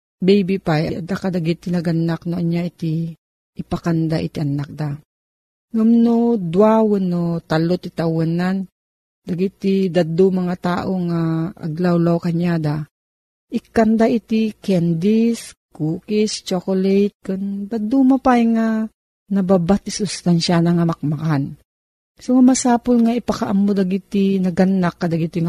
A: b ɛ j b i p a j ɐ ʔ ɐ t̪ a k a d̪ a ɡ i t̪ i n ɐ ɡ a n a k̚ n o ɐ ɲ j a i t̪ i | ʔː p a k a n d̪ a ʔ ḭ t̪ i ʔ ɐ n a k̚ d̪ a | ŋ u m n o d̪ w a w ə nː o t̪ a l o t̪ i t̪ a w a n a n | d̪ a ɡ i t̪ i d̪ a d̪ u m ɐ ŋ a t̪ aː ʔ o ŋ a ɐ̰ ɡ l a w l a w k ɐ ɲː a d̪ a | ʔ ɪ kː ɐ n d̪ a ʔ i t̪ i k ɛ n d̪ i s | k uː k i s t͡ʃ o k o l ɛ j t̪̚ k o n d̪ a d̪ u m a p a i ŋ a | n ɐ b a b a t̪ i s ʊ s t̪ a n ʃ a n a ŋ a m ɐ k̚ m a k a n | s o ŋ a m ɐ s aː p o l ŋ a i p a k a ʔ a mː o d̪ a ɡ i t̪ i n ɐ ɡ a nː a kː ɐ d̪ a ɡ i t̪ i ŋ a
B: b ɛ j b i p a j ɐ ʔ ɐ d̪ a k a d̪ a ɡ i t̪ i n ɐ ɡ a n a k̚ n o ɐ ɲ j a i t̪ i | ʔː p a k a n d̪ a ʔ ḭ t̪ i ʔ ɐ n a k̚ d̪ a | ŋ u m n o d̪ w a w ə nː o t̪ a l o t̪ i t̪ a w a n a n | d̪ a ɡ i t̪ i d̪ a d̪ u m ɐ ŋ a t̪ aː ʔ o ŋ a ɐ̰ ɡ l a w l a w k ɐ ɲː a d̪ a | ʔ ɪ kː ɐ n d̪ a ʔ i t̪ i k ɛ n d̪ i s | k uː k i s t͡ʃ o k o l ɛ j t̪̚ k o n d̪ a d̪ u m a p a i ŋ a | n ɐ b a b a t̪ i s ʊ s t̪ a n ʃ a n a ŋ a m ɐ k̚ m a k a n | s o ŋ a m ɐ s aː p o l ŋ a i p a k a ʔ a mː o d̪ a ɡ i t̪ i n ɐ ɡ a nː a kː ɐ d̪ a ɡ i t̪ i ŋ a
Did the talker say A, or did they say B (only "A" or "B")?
B